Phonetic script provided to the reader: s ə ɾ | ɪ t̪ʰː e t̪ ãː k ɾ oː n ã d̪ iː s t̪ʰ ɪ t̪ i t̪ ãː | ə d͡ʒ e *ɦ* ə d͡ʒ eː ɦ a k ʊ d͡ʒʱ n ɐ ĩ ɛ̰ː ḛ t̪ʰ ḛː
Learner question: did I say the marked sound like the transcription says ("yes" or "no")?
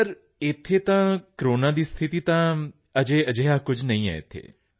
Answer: no